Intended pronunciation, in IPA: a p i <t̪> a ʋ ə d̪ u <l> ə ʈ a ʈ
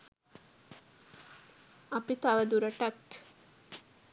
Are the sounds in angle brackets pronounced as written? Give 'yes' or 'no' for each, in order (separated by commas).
yes, no